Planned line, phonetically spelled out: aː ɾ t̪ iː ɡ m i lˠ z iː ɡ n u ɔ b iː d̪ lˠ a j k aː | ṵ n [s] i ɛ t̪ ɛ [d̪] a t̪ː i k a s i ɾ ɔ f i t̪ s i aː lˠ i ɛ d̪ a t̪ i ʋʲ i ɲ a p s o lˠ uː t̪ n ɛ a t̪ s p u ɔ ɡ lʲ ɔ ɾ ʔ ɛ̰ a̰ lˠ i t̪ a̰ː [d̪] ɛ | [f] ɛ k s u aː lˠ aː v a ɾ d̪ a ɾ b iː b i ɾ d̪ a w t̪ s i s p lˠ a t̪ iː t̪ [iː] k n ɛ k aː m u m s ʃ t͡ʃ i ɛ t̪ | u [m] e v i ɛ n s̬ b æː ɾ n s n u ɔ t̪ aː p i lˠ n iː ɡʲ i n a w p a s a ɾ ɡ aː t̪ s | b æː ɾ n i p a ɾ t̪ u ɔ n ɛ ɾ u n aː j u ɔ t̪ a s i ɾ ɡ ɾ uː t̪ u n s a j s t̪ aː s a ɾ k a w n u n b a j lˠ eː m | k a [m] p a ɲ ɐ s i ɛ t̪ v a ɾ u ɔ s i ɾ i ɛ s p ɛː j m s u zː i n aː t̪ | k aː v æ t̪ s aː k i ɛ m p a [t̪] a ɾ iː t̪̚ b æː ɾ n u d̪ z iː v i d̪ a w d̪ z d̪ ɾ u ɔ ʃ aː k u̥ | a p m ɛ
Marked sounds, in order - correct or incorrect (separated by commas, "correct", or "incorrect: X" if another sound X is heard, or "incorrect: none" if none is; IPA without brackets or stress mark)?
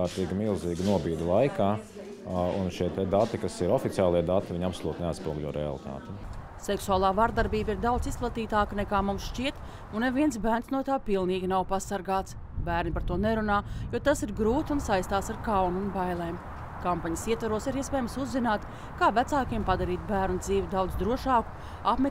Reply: incorrect: ʃ, correct, incorrect: t̪, incorrect: s, incorrect: aː, incorrect: n, correct, incorrect: d̪